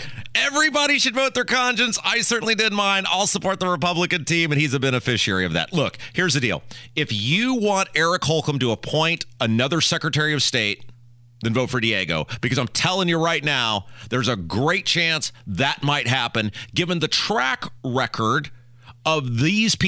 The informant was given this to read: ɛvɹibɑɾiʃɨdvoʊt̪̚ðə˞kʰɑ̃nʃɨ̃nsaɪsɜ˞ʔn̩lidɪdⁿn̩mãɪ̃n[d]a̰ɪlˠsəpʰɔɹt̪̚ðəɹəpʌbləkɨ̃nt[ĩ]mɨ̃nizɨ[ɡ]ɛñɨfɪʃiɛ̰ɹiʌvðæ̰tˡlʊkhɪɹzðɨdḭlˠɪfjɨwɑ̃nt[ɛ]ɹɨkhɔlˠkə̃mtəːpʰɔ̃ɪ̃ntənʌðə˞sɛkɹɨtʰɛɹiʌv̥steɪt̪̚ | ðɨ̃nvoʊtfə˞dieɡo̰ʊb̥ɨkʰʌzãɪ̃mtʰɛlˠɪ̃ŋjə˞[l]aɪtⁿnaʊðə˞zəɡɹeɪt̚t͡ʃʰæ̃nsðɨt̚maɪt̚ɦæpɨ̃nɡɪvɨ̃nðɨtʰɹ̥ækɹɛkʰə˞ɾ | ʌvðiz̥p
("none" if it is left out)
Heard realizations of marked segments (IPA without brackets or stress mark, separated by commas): d, ĩ, b, ɛ, ɹ